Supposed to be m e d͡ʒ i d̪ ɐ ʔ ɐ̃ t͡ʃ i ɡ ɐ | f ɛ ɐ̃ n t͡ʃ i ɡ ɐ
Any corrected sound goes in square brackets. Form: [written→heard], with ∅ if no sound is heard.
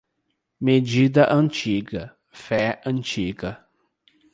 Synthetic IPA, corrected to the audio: m e d͡ʒ i d̪ ɐ ʔ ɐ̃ t͡ʃ i ɡ ɐ | f ɛ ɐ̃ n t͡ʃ i ɡ ɐ